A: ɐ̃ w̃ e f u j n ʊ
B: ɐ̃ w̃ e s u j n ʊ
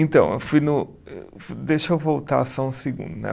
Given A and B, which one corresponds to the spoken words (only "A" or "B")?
A